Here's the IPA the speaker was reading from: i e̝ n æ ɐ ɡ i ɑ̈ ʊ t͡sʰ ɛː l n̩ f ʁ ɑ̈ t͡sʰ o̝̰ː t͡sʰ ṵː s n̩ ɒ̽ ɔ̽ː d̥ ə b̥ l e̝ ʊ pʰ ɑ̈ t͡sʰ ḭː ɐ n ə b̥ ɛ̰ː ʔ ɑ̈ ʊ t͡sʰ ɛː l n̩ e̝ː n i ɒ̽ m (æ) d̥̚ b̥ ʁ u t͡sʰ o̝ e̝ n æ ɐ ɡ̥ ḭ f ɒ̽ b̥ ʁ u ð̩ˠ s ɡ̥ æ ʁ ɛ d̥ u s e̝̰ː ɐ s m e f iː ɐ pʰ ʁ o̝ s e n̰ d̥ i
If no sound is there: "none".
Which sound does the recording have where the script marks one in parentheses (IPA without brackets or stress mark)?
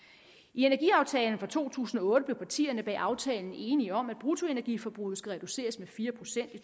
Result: æ